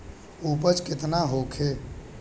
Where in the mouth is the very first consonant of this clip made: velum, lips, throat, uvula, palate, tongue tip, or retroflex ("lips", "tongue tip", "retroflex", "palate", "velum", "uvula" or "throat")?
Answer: lips